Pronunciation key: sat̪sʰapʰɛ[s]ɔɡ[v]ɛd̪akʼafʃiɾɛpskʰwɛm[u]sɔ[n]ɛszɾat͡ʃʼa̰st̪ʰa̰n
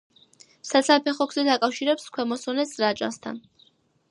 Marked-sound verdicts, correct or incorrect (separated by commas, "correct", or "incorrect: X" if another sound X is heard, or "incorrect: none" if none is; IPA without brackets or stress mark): incorrect: χ, incorrect: z, incorrect: ɔ, correct